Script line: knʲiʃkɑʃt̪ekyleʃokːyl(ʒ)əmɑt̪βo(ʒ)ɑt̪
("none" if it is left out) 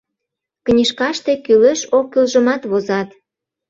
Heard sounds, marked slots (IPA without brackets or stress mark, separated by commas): ʒ, z